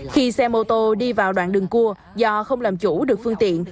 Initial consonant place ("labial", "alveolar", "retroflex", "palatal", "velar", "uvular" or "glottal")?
velar